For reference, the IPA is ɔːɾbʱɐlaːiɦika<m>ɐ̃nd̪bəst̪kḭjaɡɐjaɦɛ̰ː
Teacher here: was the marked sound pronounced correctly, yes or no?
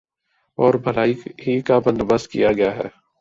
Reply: no